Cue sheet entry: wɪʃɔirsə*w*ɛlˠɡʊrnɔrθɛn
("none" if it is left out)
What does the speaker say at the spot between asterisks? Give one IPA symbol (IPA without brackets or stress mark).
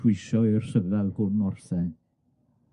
v